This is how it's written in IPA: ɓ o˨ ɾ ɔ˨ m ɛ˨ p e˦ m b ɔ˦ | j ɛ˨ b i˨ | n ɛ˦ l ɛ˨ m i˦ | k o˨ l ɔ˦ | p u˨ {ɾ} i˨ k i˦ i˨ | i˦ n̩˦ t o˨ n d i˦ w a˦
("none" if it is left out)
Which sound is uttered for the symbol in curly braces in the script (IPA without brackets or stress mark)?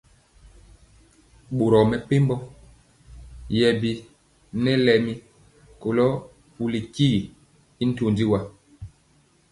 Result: l